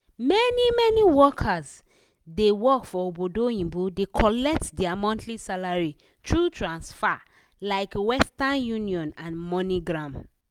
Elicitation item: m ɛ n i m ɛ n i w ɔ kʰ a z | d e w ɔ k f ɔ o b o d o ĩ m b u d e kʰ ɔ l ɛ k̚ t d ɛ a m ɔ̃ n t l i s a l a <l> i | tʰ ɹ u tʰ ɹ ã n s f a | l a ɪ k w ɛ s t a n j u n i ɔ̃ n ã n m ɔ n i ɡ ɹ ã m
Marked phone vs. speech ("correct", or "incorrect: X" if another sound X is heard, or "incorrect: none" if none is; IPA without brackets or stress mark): incorrect: ɹ